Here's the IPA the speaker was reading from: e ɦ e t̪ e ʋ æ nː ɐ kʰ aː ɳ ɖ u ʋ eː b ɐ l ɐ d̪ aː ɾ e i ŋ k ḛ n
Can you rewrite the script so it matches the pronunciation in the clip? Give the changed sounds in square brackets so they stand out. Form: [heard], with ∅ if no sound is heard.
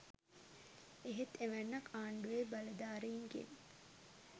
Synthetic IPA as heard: e ɦ e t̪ e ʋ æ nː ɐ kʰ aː ɳ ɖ u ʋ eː b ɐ l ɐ d̪ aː ɾ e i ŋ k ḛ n